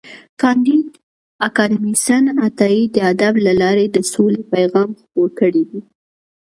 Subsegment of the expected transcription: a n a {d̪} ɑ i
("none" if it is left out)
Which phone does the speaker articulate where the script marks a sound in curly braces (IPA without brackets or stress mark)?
t̪